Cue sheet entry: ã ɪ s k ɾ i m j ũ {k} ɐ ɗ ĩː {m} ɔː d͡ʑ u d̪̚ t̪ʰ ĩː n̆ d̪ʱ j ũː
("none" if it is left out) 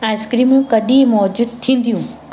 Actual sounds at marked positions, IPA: k, m

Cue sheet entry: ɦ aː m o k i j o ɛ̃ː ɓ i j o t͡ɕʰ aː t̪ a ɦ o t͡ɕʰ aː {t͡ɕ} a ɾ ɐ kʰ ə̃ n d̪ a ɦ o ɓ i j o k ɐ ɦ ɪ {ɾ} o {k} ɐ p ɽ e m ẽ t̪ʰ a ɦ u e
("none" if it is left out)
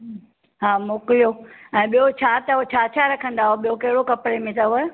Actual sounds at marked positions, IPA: t͡ɕʰ, ɽ, k

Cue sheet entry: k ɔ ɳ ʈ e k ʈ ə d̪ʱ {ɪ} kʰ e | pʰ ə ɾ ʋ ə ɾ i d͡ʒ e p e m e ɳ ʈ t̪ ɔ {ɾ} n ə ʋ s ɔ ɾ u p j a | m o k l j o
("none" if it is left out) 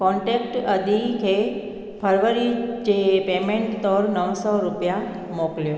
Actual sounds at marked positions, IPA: i, ɾ

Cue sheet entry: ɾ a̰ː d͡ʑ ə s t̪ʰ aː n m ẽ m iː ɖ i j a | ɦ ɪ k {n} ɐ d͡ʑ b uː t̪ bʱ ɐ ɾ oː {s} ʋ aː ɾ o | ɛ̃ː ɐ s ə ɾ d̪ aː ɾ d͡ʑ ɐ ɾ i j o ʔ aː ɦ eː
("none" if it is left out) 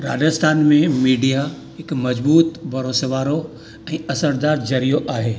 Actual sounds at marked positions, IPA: m, s

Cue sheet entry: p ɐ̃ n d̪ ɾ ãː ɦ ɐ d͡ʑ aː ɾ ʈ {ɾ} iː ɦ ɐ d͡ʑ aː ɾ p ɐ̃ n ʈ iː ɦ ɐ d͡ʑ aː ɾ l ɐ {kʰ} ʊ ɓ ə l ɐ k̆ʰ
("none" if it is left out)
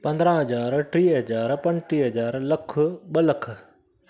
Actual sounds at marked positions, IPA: ɾ, kʰ

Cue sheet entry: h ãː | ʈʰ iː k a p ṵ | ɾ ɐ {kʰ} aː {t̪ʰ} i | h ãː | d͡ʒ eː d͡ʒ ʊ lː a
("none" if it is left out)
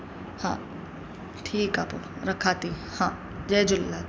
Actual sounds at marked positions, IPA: kʰ, t̪

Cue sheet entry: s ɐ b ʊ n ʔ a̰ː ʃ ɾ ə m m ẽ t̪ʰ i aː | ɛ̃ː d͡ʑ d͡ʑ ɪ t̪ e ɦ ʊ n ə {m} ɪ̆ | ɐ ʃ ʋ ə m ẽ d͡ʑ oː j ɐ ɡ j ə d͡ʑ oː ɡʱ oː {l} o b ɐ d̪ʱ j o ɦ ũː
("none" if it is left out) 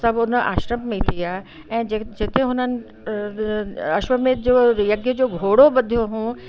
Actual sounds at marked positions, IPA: n, ɽ

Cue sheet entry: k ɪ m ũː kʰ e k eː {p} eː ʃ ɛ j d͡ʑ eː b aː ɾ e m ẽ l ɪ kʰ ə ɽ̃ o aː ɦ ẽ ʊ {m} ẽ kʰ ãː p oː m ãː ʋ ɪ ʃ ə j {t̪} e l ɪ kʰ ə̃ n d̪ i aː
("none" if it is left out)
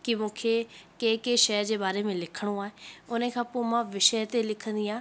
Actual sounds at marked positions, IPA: k, n, t̪

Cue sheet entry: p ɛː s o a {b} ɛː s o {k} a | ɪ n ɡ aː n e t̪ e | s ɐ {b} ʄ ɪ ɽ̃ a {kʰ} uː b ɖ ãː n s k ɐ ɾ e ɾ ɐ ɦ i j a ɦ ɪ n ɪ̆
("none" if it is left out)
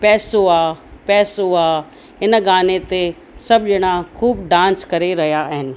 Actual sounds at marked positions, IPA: p, none, b, kʰ

